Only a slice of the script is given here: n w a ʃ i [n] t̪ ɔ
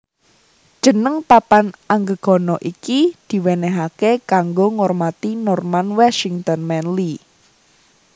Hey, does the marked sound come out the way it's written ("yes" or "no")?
no